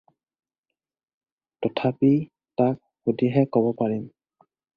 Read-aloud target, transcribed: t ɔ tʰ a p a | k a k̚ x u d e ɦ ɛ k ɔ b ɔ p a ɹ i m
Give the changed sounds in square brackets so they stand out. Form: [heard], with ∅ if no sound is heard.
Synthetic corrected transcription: t ɔ tʰ a p [i] | [t] a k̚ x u d [i] ɦ ɛ k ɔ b ɔ p a ɹ i m

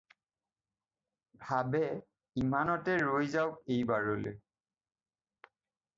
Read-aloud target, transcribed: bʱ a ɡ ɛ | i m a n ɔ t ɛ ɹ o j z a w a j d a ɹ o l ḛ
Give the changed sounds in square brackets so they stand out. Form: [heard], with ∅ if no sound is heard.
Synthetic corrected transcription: bʱ a [b] ɛ | i m a n ɔ t ɛ ɹ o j z a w [e] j [b] a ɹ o l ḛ

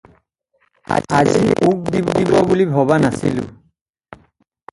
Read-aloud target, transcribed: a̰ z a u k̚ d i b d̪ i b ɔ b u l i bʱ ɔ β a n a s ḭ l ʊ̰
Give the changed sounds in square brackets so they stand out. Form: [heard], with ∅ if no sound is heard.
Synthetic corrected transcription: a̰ z [i] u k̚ d i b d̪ i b ɔ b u l i bʱ ɔ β a n a s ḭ l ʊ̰

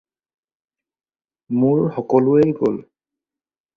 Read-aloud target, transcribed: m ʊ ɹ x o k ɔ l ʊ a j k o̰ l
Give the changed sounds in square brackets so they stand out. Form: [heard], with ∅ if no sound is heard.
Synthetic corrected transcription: m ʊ ɹ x [ɔ] k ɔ l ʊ [e] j [ɡ] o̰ l

